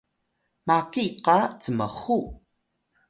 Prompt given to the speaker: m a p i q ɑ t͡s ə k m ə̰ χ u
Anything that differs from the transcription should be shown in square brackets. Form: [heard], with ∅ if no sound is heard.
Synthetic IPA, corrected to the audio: m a [k] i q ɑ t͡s ə [∅] m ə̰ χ u